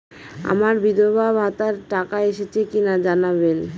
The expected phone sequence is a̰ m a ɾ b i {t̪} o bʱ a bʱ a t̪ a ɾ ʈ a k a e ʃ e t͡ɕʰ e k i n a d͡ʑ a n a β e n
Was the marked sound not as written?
yes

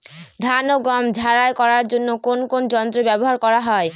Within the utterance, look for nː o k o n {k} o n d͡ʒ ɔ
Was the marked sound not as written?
no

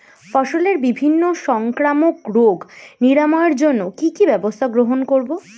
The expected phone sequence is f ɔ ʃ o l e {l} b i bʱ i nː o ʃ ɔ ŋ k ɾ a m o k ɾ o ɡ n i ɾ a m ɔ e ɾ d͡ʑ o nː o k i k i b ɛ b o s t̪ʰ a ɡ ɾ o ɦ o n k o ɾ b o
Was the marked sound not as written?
yes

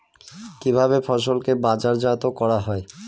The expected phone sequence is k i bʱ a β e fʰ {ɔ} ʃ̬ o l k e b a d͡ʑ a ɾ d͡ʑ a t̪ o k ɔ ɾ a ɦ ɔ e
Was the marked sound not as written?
no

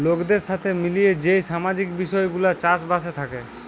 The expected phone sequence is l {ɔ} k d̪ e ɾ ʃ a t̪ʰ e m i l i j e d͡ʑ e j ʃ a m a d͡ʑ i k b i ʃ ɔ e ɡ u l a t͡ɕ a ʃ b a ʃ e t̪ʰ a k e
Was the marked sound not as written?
yes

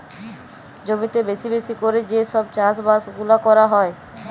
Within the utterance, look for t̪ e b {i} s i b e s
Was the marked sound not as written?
yes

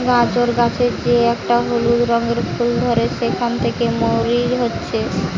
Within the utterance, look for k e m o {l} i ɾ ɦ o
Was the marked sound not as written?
yes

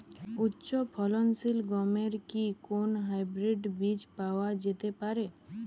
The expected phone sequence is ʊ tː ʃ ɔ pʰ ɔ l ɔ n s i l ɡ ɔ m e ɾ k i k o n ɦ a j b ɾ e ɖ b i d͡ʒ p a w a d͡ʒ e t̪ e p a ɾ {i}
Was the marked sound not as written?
yes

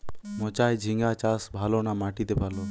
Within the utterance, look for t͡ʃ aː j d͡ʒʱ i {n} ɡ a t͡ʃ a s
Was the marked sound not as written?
yes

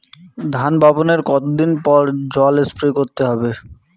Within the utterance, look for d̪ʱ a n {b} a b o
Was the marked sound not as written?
no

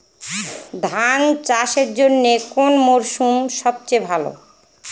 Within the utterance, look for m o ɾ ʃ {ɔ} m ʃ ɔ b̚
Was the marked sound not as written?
yes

